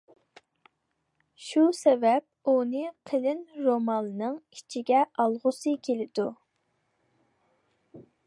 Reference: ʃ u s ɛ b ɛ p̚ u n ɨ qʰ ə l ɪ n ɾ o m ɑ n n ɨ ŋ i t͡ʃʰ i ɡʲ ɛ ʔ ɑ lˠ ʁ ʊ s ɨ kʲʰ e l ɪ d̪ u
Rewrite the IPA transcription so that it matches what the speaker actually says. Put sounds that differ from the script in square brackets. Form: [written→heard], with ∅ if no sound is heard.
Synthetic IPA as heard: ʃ u s ɛ [b→v] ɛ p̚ u n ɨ qʰ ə l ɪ n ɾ o m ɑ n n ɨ ŋ i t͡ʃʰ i ɡʲ ɛ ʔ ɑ lˠ ʁ ʊ s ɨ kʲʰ e l ɪ d̪ u